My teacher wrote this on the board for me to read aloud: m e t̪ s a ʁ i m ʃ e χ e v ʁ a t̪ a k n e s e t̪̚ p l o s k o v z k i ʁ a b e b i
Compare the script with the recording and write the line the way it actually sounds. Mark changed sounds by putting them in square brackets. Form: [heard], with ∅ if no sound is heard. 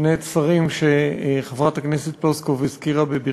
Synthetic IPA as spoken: [n] e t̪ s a ʁ i m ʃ e χ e v ʁ a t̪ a k n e s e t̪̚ p l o s k o v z k i ʁ a b e b i